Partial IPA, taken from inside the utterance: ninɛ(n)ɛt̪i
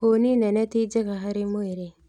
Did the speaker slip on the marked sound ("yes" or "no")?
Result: no